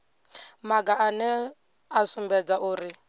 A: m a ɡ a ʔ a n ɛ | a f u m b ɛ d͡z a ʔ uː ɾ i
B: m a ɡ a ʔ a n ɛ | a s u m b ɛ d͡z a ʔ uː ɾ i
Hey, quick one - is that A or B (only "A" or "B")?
B